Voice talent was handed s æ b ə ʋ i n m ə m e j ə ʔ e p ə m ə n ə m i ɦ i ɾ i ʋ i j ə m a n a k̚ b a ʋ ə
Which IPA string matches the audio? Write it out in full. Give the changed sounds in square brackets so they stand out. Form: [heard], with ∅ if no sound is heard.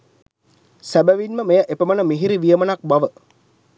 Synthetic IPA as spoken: s æ b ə ʋ i n m ə m e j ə ʔ e p ə m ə n ə m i ɦ i ɾ i ʋ i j ə m [ə] n a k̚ b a ʋ ə